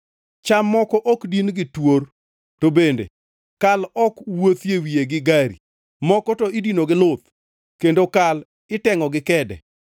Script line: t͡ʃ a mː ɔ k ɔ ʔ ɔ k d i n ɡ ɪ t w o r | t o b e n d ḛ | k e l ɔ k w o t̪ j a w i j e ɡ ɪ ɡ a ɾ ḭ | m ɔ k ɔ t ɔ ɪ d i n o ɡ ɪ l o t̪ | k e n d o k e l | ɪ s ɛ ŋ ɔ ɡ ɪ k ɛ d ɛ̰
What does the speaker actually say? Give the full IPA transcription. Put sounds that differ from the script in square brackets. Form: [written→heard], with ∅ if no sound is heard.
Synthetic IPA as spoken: t͡ʃ a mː ɔ k ɔ ʔ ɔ k d i n ɡ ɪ t w o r | t o b e n d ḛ | k [e→a] l ɔ k w o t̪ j [a→e] w i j e ɡ ɪ ɡ a ɾ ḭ | m ɔ k ɔ t ɔ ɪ d i n o ɡ ɪ l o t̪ | k e n d o k [e→a] l | ɪ [s→t] ɛ ŋ ɔ ɡ ɪ k ɛ d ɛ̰